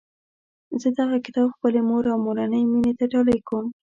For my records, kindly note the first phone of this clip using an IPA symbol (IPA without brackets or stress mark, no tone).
z